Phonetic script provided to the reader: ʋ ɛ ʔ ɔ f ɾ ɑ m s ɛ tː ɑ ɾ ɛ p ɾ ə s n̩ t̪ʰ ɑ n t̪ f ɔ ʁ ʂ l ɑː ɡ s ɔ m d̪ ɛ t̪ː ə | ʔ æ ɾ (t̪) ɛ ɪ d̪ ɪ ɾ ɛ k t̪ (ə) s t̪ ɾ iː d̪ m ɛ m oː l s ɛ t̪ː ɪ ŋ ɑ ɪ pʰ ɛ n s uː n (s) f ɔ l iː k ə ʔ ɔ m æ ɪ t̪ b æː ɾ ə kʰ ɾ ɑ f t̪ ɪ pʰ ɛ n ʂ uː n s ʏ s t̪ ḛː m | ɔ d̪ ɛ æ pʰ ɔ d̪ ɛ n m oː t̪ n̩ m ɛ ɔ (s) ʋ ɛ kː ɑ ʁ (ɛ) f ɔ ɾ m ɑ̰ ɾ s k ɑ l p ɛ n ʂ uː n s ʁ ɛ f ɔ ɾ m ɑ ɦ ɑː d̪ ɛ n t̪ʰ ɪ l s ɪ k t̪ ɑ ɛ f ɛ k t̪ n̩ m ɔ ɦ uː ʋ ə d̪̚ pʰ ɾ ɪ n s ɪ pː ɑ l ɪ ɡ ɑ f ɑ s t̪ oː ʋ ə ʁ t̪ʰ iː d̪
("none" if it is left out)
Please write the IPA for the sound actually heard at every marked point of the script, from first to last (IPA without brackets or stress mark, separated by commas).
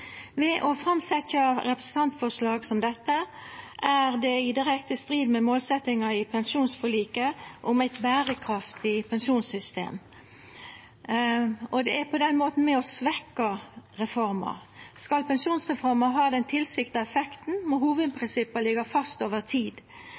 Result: d̪, ə, s, s, ɛ